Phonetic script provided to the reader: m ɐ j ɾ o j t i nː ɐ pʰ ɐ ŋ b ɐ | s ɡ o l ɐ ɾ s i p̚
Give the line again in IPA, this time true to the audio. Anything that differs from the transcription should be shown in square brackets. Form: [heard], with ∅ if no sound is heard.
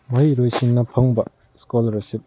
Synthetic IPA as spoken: m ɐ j ɾ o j [s] i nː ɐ pʰ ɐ ŋ b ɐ | s [k] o l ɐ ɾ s i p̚